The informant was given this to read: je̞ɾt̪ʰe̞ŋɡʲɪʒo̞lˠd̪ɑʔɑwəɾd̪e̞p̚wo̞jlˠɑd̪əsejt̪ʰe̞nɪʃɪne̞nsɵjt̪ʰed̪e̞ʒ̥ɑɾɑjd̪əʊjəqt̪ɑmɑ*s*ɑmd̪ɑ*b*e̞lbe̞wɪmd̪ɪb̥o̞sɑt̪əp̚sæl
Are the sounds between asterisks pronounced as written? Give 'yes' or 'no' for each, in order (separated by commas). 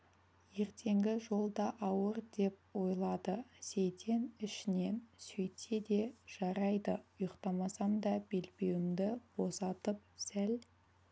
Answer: yes, yes